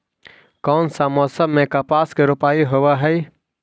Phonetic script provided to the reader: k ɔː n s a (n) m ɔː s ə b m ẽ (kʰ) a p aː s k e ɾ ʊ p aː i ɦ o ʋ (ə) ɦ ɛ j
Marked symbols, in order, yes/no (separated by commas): no, no, no